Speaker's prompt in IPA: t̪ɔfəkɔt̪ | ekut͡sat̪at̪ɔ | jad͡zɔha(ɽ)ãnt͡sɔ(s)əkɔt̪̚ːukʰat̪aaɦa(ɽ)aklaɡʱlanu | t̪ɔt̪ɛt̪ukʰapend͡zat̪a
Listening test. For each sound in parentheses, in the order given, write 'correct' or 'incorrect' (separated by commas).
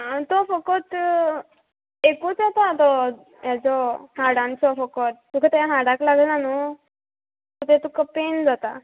correct, incorrect, correct